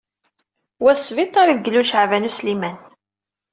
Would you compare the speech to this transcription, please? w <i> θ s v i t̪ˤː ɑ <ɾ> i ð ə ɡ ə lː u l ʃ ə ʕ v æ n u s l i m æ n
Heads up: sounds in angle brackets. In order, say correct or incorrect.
incorrect: æ, correct

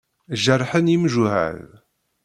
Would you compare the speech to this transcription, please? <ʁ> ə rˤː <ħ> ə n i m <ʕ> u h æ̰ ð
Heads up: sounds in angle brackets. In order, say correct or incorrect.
incorrect: ʒ, correct, incorrect: ʒ

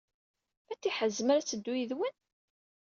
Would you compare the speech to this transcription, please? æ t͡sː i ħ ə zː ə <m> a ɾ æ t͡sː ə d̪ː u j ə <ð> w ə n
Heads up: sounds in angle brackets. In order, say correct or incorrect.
correct, correct

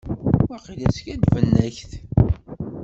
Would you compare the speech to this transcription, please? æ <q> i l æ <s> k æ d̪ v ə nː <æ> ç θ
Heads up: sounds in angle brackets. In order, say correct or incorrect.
correct, correct, correct

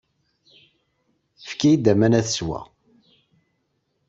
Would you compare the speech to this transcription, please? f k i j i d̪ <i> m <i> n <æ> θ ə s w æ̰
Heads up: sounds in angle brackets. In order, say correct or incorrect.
incorrect: æ, incorrect: æ, correct

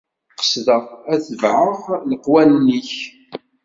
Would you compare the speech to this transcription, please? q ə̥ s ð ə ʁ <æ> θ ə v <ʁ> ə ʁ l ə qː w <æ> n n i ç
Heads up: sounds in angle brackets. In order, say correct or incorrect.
correct, incorrect: ʕ, correct

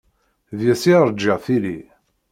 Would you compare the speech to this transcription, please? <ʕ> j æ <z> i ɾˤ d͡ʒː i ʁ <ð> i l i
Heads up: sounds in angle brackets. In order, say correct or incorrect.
incorrect: ð, incorrect: s, incorrect: θ

